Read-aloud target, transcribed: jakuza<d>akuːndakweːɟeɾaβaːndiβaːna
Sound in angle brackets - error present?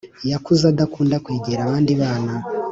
no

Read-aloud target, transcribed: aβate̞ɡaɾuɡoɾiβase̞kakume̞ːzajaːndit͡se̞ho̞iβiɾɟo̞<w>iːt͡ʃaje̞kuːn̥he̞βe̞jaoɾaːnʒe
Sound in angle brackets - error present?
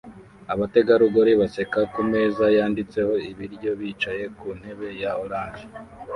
yes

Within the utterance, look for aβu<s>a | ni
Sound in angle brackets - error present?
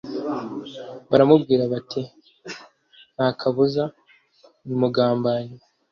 yes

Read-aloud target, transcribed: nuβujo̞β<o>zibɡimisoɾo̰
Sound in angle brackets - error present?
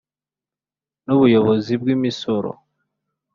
no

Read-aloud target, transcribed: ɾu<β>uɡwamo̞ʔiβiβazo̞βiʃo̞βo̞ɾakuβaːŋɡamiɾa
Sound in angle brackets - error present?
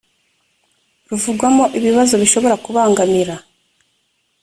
yes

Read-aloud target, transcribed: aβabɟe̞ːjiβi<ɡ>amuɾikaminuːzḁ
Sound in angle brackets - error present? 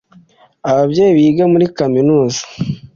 no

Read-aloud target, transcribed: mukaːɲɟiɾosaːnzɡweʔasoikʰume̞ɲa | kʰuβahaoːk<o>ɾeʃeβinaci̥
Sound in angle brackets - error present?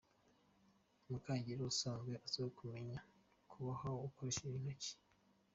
no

